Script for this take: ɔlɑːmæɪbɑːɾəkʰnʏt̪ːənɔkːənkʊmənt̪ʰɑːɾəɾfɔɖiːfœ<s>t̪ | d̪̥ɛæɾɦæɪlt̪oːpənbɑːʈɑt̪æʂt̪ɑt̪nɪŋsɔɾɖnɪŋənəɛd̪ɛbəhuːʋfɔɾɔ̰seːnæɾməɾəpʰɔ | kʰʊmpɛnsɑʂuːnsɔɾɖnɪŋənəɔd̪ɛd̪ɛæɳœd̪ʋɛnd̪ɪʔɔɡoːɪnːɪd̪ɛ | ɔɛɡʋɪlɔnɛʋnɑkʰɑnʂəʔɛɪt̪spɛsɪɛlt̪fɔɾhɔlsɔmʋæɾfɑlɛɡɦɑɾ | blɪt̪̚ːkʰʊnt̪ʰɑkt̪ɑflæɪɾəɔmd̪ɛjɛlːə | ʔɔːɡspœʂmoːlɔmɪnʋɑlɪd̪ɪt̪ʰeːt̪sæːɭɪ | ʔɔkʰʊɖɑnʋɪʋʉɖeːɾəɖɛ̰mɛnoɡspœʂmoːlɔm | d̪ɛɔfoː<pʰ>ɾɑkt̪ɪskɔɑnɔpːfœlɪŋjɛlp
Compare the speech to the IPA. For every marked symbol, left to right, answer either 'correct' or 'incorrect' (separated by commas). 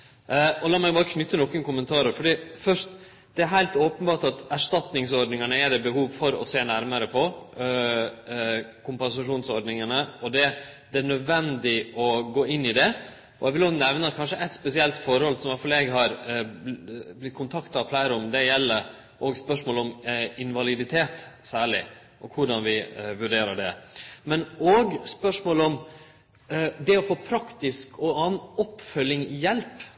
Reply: incorrect, correct